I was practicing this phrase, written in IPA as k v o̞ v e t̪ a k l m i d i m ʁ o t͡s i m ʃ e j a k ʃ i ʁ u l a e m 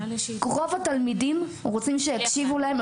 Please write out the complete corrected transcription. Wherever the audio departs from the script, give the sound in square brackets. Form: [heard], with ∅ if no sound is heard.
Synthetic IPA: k [ʁ] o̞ v [a] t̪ a [∅] l m i d i m ʁ o t͡s i m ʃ e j a k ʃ i [v] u l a e m